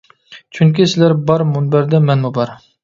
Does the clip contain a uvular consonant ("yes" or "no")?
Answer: no